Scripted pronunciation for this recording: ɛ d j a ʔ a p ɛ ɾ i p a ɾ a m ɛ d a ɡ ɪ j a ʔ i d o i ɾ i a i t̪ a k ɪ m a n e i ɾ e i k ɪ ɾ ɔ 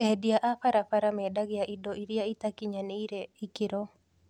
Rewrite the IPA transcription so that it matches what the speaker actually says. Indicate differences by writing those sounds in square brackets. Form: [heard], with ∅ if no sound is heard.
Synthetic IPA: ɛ d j a ʔ a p [a] ɾ [a] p a ɾ a m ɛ d a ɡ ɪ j a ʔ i d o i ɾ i a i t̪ a k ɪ [ɲ] a n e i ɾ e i k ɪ ɾ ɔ